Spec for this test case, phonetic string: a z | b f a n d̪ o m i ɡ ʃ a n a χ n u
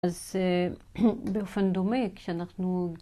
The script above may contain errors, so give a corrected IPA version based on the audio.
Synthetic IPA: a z | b f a n d̪ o m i k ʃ a n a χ n u